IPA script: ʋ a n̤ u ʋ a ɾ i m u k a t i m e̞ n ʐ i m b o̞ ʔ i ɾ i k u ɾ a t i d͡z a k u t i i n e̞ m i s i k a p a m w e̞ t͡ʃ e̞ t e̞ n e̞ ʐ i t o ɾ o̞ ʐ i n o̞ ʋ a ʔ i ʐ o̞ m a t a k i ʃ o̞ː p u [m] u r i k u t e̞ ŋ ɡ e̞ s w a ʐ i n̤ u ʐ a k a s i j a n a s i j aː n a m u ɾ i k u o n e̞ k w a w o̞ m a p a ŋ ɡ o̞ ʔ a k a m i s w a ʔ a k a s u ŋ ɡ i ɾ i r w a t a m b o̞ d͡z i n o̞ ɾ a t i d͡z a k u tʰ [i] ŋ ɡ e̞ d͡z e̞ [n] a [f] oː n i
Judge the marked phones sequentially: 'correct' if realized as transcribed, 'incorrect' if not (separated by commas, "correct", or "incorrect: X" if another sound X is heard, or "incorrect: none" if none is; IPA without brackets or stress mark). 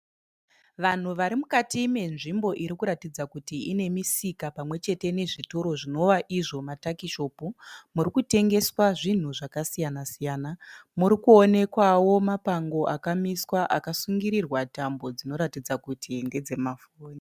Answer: correct, correct, incorrect: m, correct